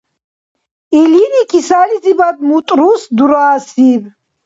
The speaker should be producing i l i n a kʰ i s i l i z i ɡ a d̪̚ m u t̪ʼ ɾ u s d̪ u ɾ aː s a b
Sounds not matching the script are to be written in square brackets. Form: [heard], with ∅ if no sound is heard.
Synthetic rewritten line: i l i n [i] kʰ i s [a] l i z i [b] a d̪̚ m u t̪ʼ ɾ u s d̪ u ɾ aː s [i] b